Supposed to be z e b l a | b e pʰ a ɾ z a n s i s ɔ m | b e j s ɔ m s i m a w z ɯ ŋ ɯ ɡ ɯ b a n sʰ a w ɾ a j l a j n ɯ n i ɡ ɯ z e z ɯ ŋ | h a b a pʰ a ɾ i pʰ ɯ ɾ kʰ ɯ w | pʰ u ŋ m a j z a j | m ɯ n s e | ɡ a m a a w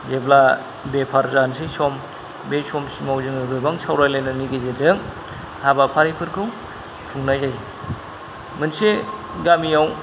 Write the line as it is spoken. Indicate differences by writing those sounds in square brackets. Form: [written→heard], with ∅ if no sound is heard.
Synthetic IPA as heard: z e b l a | b e pʰ a ɾ z a n s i s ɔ m | b e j s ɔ m s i m a w z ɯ ŋ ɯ ɡ ɯ b a [n→ŋ] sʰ a w ɾ a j l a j n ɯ n i ɡ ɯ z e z ɯ ŋ | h a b a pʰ a ɾ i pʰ ɯ ɾ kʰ ɯ w | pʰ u ŋ [m→n] a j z a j | m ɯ n s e | ɡ a m [a→i] a w